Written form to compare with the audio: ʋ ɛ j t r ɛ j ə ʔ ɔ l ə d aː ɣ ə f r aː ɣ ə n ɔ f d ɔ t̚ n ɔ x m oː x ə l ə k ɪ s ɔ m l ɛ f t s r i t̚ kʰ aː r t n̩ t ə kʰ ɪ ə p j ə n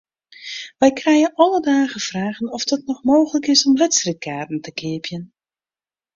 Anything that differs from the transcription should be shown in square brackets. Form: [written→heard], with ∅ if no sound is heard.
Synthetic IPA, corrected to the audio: ʋ ɛ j [t→k] r ɛ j ə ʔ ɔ l ə d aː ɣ ə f r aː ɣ ə n ɔ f d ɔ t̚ n ɔ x m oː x ə l ə k ɪ s ɔ m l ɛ [f→∅] t s r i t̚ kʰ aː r t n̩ t ə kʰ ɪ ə p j ə n